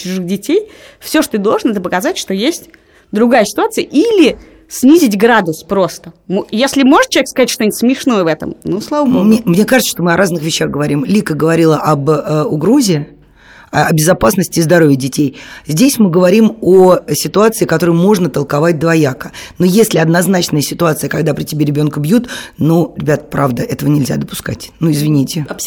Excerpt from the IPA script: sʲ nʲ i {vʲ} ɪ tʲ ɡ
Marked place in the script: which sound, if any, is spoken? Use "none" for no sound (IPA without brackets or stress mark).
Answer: zʲ